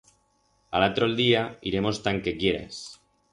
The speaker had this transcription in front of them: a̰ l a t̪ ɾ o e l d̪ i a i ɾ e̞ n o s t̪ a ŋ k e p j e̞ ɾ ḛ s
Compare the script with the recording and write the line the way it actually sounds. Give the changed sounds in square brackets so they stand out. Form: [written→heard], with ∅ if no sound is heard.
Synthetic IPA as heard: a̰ l a t̪ ɾ o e l d̪ i a i ɾ e̞ [n→m] o s t̪ a ŋ k e [p→k] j e̞ ɾ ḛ s